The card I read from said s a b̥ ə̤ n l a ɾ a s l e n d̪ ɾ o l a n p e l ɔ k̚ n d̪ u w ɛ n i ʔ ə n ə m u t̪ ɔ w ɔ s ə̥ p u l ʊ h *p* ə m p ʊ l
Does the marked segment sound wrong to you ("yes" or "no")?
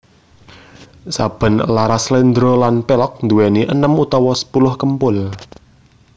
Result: yes